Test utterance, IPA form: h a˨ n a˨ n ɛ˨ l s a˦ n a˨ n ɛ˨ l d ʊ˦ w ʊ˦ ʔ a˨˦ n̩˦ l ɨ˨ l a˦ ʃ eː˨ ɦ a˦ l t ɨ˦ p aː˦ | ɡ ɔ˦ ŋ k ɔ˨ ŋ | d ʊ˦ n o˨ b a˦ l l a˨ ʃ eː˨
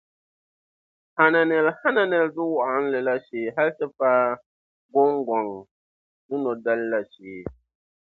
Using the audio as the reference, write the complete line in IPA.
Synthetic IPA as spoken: h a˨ n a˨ n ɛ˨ l h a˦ n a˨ n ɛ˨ l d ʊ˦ w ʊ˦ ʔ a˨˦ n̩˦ l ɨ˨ l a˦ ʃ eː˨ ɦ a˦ l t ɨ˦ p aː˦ | ɡ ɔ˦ ŋ ɡ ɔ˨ ŋ | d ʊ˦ n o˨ d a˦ l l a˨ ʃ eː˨